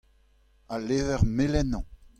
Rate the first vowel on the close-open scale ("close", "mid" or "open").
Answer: open